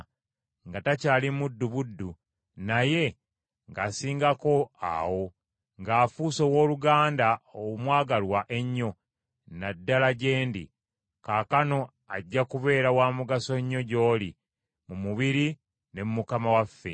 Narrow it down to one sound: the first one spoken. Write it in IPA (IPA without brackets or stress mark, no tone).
ŋ